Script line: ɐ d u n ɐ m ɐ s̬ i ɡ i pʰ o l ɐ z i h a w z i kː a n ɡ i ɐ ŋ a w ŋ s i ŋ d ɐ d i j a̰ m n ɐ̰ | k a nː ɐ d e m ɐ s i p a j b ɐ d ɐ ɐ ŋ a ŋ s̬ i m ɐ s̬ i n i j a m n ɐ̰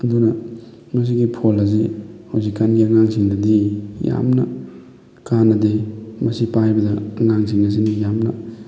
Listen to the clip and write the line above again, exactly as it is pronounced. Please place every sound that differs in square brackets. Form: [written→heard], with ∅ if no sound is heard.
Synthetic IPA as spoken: ɐ d u n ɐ m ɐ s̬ i ɡ i pʰ o l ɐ z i h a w z i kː a n ɡ i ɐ ŋ a [w→∅] ŋ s i ŋ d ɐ d i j a̰ m n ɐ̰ | k a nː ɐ d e m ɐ s i p a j b ɐ d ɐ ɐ ŋ a ŋ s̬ i [m→ŋ] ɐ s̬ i n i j a m n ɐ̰